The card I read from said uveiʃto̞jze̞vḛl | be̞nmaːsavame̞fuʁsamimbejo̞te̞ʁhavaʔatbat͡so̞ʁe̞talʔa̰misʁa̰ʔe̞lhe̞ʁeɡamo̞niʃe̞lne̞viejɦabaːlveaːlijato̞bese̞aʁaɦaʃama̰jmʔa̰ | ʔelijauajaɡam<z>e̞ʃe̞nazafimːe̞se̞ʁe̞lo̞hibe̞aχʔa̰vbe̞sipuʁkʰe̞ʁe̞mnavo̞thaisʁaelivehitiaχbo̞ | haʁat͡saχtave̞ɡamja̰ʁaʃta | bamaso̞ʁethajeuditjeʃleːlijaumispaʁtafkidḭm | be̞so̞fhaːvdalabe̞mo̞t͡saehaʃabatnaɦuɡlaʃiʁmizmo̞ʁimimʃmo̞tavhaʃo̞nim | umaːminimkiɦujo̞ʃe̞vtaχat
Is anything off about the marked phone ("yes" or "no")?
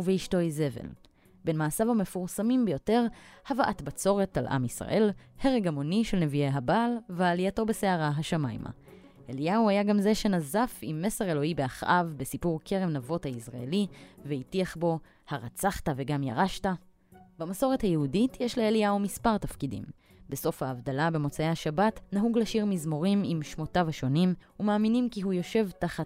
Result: no